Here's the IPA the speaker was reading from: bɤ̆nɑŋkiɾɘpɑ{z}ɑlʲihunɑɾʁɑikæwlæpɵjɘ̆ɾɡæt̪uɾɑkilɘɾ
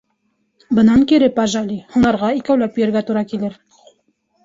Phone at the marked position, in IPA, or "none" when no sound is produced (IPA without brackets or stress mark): ʒ